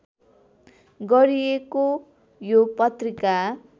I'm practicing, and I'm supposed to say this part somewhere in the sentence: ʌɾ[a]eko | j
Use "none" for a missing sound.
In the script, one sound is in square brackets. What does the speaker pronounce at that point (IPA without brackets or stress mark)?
i